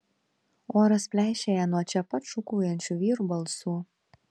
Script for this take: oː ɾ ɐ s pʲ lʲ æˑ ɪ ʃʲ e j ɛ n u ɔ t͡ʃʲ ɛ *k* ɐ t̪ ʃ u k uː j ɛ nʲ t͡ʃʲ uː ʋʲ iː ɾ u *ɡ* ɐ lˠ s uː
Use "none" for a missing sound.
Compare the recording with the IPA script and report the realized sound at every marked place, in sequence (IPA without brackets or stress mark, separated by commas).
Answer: p, b